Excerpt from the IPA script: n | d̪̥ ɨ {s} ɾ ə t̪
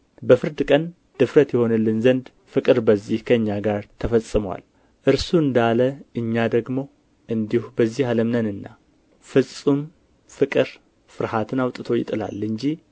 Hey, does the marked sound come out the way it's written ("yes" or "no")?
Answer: no